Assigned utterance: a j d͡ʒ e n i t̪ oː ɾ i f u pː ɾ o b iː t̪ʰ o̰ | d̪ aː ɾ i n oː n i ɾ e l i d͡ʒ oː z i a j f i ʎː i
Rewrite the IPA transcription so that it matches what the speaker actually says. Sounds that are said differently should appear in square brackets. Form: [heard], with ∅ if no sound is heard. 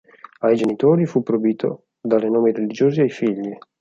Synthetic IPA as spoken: a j d͡ʒ e n i t̪ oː ɾ i f u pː ɾ o b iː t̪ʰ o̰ | d̪ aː ɾ [e] n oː [m] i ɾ e l i d͡ʒ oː z i a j f i ʎː i